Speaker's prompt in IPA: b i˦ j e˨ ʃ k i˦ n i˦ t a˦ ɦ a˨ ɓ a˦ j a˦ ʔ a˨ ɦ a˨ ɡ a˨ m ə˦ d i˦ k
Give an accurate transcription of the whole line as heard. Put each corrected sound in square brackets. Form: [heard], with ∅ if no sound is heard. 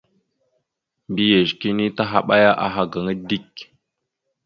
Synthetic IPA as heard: b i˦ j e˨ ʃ k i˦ n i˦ t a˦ ɦ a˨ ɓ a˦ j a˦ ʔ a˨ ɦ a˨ ɡ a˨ [ŋ] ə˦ d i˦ k